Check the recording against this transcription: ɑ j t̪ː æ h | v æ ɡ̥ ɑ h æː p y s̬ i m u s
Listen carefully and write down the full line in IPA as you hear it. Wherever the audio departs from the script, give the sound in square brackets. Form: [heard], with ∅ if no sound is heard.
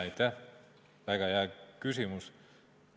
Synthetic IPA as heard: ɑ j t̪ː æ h | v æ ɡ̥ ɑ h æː [k] y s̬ i m u s